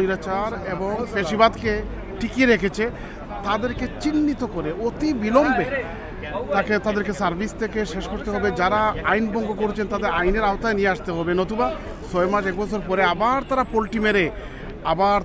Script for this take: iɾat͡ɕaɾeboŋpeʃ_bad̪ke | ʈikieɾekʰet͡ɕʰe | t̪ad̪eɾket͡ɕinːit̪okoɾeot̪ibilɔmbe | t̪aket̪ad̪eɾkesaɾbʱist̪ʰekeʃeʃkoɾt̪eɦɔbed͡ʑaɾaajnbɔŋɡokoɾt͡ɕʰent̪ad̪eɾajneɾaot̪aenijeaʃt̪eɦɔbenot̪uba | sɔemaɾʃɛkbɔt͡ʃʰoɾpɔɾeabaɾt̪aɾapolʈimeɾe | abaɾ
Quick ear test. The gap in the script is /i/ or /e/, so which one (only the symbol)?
i